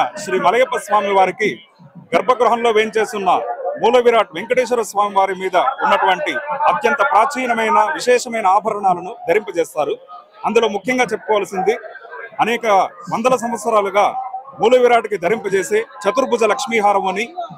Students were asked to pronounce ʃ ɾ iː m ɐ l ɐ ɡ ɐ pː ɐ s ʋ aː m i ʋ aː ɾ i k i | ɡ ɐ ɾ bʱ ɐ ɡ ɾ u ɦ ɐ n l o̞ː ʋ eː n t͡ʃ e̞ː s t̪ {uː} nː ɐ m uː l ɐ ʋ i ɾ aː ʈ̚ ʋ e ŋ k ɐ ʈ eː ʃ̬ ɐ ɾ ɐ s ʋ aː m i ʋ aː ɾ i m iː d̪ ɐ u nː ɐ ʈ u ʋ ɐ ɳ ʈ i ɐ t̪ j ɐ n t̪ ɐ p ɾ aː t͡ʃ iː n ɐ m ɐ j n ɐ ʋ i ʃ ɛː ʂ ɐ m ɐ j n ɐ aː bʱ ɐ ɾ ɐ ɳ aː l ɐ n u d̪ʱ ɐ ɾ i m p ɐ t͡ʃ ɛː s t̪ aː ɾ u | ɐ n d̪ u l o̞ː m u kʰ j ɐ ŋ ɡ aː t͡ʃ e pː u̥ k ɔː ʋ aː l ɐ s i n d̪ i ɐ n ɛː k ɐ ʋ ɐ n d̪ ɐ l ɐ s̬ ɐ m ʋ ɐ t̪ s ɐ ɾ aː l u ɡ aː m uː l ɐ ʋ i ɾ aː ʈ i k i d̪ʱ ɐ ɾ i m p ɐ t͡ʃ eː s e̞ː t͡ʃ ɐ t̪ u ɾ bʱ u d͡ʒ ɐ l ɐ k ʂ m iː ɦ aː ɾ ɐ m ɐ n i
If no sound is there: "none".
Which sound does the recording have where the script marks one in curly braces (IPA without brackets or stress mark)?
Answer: u